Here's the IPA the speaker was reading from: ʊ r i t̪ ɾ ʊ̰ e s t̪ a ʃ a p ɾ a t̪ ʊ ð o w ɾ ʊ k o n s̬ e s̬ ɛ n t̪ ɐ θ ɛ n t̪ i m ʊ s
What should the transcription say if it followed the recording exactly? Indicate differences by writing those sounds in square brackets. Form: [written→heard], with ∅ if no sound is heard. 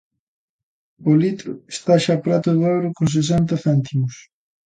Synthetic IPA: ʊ [r→l] i t̪ ɾ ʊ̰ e s t̪ a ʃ a p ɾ a t̪ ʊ ð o w ɾ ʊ k o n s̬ e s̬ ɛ n t̪ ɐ θ ɛ n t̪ i m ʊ s

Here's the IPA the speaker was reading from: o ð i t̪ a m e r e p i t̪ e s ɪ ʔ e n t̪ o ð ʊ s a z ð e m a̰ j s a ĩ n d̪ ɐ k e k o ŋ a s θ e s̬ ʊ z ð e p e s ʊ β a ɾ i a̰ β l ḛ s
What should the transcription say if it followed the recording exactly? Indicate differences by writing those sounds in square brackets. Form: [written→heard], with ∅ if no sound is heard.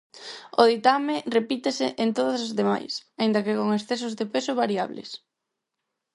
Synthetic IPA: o ð i t̪ a m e r e p i t̪ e s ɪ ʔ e n t̪ o ð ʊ s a z ð e m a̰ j s a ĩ n d̪ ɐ k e k o ŋ [a→e] s θ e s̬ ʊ z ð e p e s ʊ β a ɾ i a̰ β l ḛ s

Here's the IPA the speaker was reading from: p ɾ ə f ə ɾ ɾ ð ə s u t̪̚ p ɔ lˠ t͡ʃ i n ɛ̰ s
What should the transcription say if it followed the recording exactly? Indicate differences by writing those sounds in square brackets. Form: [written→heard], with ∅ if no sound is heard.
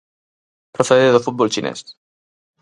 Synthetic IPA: p ɾ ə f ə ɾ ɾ ð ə [s→f] u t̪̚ [p→b] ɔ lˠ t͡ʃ i n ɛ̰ s

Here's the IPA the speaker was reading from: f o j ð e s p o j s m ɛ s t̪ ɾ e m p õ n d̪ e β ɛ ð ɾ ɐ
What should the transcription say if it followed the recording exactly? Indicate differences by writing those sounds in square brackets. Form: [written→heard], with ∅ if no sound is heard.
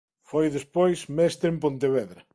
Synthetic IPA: f o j ð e s p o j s m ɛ s t̪ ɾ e m p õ n [d̪→t̪] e β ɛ ð ɾ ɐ

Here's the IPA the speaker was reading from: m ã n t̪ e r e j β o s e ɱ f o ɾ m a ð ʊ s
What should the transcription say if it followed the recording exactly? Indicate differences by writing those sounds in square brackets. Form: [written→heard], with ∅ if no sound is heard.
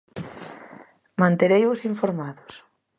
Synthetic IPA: m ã n t̪ e [r→ɾ] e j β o s [e→i] ɱ f o ɾ m a ð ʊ s

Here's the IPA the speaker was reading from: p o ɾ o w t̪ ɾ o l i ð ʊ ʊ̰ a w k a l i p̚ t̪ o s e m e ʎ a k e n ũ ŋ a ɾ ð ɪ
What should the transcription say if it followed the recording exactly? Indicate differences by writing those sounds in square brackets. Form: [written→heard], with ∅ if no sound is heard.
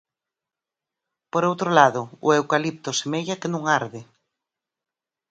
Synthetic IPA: p o ɾ o w t̪ ɾ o l [i→a] ð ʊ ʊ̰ [a→e] w k a l i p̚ t̪ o s e m e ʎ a k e n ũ ŋ a ɾ ð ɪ

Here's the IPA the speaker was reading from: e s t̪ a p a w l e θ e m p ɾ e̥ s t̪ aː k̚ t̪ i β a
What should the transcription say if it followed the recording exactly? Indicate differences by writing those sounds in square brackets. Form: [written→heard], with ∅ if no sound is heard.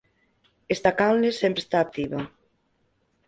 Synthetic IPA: e s t̪ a [p→k] a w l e [θ→s] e m p ɾ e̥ s t̪ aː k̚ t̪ i β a

